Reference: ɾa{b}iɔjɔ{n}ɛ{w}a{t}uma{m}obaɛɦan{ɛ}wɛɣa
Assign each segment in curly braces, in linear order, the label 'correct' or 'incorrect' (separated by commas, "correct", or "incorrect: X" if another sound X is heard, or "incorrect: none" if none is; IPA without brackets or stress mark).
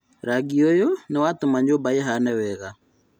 incorrect: ɡ, correct, correct, correct, incorrect: ɲ, correct